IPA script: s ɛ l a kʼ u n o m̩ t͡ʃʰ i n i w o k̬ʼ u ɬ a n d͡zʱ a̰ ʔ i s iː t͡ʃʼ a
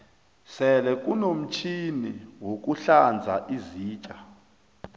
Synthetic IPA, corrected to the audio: s ɛ l ɛ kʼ u n o m̩ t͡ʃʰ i n i w o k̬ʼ u ɬ a n d͡zʱ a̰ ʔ i z iː t͡ʃʼ a